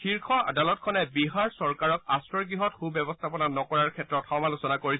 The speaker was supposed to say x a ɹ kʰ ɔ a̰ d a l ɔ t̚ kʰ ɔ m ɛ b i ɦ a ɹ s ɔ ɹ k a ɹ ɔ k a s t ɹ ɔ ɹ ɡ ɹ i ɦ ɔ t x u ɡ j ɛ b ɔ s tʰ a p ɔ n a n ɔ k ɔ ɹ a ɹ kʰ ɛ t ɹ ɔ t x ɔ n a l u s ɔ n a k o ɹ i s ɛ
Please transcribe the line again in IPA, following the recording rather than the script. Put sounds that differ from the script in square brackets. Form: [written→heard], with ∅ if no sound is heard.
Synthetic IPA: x [a→i] ɹ kʰ ɔ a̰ d a l ɔ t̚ kʰ ɔ [m→n] ɛ b i ɦ a ɹ s ɔ ɹ k a ɹ ɔ k a s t ɹ ɔ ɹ ɡ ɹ i ɦ ɔ t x u [ɡ→b] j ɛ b ɔ s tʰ a p ɔ n a n ɔ k ɔ ɹ a ɹ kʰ ɛ t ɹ ɔ t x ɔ [n→m] a l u s ɔ n a k o ɹ i s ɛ